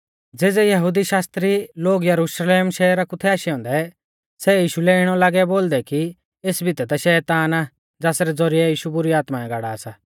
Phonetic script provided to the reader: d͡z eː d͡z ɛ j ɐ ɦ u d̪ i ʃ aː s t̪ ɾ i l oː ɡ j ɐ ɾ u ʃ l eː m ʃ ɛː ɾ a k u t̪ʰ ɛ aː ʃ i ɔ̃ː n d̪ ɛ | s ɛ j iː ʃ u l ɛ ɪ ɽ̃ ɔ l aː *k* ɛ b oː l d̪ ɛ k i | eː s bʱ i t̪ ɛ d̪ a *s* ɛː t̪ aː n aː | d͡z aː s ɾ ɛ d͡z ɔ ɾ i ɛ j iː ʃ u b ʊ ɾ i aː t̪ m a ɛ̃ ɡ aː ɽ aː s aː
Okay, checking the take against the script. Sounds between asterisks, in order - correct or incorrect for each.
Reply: incorrect: ɡ, incorrect: ʃ

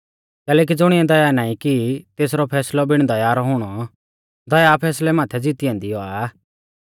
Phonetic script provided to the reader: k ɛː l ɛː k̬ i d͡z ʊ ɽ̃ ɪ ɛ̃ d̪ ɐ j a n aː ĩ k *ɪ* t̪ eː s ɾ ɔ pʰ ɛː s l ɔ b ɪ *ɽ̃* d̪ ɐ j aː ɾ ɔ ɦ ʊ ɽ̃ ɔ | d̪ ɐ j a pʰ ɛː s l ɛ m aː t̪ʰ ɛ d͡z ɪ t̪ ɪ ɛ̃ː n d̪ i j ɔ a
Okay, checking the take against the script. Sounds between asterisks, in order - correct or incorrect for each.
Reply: incorrect: i, correct

